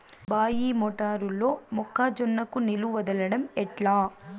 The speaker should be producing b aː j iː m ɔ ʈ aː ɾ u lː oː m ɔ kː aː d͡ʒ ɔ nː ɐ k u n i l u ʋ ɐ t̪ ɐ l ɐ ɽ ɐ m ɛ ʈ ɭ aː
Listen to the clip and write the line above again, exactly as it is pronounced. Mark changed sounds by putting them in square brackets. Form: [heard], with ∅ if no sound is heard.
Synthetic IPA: b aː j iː m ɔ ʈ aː ɾ u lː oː m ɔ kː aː d͡ʒ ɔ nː ɐ k u n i l u ʋ ɐ [d̪] ɐ l ɐ ɽ ɐ m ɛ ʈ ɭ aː